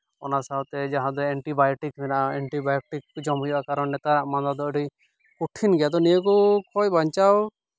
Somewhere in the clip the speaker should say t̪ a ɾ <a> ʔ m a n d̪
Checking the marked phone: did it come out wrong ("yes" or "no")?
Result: no